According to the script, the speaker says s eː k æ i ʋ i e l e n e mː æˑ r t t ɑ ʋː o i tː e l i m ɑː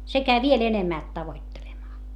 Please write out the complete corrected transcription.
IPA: s e k æ i ʋ i e l e n e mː æˑ l t t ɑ ʋ o i tː e l e m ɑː